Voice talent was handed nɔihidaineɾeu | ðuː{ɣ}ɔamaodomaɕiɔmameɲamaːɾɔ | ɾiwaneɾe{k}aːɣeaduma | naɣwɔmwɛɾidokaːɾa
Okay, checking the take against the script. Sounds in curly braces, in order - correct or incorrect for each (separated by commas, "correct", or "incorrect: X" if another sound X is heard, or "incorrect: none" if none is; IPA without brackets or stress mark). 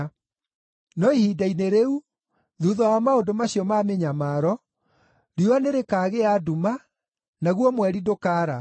incorrect: ð, correct